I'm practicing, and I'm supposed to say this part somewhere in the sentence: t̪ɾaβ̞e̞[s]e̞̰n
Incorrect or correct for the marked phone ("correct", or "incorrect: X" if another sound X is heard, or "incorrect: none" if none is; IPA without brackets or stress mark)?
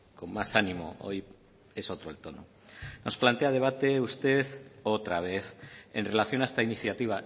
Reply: incorrect: θ